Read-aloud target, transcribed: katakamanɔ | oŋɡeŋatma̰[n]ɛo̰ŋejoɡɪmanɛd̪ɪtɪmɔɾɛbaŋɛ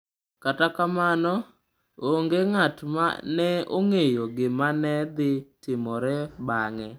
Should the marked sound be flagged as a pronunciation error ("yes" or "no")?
no